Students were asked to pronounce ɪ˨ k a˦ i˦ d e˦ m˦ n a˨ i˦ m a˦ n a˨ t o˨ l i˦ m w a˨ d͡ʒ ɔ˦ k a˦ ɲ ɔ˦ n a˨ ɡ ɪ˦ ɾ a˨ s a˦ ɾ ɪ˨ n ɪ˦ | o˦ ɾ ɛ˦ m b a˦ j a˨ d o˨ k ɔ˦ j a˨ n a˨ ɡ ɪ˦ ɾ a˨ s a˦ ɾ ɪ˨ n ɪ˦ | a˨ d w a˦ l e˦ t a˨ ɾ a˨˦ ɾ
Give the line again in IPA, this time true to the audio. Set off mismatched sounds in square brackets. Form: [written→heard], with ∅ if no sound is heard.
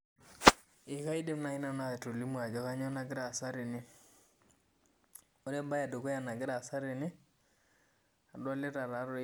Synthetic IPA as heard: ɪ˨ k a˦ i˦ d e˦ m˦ n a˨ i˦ [m→n] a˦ n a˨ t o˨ l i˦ m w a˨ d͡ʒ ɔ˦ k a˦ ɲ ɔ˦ n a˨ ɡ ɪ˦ ɾ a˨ s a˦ ɾ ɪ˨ n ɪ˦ | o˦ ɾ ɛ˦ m b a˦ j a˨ d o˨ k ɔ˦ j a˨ n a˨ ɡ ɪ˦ ɾ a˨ s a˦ ɾ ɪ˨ n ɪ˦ | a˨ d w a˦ l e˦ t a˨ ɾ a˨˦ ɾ

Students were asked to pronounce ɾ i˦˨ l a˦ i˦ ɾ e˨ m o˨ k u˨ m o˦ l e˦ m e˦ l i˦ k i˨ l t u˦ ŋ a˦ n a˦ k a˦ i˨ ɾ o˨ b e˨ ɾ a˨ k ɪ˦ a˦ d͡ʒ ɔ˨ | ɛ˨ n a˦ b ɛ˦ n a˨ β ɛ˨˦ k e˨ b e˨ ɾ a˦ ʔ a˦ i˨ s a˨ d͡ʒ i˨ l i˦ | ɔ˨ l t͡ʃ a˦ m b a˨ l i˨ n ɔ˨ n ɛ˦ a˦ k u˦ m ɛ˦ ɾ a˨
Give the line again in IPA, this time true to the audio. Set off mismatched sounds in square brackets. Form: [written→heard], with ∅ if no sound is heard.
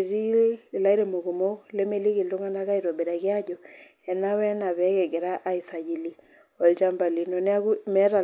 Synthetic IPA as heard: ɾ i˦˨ l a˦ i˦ ɾ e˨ m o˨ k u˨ m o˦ l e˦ m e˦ l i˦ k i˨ l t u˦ ŋ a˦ n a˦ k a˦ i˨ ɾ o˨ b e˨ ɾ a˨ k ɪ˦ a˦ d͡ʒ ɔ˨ | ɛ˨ n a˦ [b→w] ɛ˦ n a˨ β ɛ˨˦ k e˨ [b→ɡ] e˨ ɾ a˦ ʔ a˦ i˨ s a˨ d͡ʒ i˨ l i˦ | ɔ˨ l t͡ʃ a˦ m b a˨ l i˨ n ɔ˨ n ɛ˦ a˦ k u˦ m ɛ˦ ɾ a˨

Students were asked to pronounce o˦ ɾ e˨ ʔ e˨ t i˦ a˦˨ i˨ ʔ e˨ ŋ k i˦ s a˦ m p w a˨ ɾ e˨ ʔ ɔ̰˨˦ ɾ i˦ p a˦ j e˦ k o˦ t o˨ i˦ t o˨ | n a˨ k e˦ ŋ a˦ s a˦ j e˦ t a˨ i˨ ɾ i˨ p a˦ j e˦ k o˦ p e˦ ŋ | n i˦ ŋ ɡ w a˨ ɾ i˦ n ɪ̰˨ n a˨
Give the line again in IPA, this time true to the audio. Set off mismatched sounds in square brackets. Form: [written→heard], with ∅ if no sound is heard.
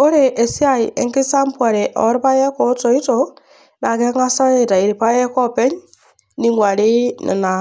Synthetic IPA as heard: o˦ ɾ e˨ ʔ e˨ [t→s] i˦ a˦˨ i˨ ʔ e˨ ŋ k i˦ s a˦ m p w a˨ ɾ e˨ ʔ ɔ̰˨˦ ɾ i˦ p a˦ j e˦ k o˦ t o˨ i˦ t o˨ | n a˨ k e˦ ŋ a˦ s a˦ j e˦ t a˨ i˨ ɾ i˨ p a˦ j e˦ k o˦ p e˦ [ŋ→ɲ] | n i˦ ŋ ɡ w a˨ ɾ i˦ n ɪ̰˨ n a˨

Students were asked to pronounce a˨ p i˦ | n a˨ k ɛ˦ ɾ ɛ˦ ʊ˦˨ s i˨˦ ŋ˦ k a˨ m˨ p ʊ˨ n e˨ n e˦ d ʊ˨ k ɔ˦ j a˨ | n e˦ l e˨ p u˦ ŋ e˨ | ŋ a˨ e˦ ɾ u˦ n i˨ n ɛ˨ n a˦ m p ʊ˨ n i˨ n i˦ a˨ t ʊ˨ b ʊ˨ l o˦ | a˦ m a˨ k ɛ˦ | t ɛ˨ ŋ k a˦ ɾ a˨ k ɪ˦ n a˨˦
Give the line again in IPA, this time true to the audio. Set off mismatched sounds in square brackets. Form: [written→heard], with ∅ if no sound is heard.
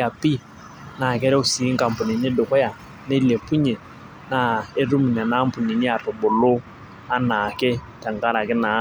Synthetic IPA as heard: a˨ p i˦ | n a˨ k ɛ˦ ɾ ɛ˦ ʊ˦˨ s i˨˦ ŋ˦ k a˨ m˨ p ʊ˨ n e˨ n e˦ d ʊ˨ k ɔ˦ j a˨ | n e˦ l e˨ p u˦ [ŋ→ɲ] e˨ | [ŋ→n] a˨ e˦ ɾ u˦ [n→m] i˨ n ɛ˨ n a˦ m p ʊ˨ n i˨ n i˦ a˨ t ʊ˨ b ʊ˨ l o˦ | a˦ [m→n] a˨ k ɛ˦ | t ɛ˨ ŋ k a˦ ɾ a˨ k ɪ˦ n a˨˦

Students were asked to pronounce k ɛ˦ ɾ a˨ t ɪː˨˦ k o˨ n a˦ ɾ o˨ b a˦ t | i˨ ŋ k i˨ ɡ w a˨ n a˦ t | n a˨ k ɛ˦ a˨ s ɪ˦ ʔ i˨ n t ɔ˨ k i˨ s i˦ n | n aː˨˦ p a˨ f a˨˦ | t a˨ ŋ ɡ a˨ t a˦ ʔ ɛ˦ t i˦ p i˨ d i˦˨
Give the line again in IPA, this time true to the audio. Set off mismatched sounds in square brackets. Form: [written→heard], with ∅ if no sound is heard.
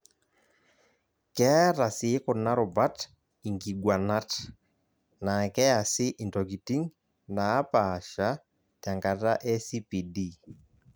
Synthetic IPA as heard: k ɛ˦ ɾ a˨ [t→s] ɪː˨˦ k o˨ n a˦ ɾ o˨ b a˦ t | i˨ ŋ [k→ɡ] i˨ ɡ w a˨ n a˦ t | n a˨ k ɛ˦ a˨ s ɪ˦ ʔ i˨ n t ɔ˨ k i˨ [s→t] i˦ [n→ŋ] | n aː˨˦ p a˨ [f→ʃ] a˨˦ | t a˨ ŋ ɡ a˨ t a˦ ʔ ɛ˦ [t→s] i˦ p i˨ d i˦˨

